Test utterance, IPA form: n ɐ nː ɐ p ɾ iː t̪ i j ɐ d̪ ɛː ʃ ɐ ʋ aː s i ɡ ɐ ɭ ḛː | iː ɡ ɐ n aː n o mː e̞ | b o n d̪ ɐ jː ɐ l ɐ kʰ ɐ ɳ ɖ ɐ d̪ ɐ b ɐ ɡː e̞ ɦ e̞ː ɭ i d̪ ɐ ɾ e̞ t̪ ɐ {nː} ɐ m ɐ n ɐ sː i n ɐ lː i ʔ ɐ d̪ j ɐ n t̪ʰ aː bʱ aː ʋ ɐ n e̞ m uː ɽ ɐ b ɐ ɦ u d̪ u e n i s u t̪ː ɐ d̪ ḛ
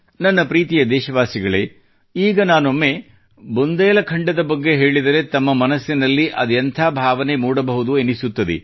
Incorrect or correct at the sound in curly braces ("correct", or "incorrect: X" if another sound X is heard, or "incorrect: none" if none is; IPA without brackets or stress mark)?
incorrect: mː